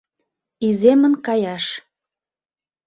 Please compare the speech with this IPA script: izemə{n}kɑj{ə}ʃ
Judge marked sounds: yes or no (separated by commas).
yes, no